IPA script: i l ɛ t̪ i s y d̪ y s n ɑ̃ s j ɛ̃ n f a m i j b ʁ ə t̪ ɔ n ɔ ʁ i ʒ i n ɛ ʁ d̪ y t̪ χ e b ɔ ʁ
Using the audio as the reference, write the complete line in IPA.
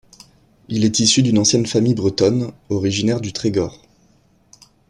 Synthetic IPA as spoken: i l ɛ t̪ i s y d̪ y n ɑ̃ s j ɛ n f a m i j b ʁ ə t̪ ɔ n ɔ ʁ i ʒ i n ɛ ʁ d̪ y t̪ χ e ɡ ɔ ʁ